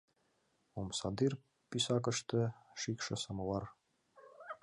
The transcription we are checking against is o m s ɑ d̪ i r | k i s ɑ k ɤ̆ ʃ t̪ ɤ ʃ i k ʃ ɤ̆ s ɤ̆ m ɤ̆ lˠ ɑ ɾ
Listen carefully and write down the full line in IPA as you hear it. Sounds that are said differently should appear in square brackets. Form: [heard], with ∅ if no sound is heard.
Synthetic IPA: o m s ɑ d̪ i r | [p] i s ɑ k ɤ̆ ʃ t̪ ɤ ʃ i k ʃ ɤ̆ s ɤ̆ m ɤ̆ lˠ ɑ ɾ